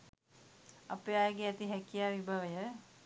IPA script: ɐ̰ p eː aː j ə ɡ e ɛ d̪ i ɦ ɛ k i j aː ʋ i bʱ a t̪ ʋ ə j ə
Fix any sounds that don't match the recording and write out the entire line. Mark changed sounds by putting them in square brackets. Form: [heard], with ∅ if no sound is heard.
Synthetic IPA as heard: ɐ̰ p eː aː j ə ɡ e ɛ [t̪] i ɦ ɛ k i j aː ʋ i bʱ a [∅] ʋ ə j ə